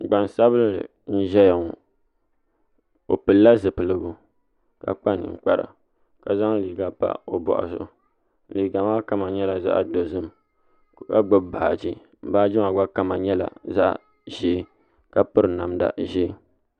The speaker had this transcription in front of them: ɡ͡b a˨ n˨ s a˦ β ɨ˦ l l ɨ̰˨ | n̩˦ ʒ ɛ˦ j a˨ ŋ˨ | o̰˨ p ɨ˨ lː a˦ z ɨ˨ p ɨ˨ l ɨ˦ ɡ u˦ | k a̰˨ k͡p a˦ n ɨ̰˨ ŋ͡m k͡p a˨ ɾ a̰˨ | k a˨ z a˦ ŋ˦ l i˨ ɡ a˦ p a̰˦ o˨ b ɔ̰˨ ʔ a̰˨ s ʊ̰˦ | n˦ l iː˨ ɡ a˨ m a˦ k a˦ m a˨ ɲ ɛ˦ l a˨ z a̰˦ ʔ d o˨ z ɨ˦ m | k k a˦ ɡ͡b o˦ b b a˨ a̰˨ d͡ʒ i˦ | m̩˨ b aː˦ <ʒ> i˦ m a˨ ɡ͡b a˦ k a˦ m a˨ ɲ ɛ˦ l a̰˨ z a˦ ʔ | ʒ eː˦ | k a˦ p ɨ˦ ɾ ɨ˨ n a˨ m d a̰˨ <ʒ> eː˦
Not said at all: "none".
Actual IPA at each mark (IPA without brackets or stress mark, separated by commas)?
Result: d͡ʒ, ʒ